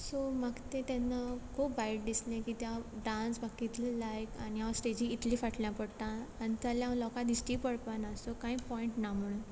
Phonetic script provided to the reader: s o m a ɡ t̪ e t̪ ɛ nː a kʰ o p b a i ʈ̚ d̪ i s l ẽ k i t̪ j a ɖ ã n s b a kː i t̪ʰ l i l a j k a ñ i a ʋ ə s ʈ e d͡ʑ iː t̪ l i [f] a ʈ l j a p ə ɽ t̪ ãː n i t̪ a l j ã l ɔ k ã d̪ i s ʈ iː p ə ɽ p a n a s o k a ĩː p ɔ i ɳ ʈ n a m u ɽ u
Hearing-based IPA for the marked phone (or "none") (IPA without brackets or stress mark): f